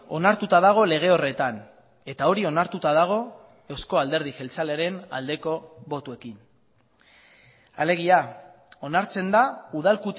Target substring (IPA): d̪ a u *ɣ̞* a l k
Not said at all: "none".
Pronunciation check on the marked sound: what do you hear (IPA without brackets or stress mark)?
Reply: ð̞